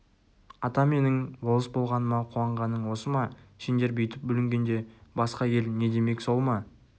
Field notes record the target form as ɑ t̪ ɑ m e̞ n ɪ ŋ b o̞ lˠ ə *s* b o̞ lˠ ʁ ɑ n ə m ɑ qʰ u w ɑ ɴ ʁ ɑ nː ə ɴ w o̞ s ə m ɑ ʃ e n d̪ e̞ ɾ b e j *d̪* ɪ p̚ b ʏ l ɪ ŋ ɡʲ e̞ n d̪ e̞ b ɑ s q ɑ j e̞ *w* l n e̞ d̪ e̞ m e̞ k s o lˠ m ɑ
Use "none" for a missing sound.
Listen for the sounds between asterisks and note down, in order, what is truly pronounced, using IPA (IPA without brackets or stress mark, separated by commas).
s, t̪, none